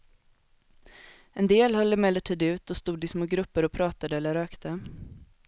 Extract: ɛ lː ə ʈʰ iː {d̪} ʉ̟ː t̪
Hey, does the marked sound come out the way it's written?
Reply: yes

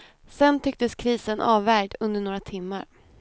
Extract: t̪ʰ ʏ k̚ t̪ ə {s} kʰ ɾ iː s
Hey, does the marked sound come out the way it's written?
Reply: yes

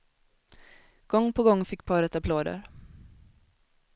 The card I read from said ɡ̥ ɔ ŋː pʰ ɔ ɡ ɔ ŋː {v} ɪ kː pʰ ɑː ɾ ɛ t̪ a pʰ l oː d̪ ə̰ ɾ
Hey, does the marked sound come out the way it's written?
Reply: no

